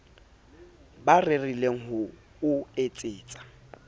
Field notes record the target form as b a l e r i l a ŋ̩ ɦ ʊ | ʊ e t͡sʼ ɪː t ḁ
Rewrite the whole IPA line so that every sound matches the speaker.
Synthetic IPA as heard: b a r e r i l e ŋ̩ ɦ ʊ | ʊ e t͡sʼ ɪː t͡sʼ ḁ